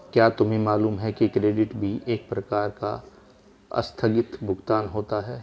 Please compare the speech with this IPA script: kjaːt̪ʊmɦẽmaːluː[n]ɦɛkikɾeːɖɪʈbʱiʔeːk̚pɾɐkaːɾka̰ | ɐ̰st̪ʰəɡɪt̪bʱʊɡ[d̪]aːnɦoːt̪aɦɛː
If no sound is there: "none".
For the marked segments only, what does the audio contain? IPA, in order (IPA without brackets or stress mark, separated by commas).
m, t̪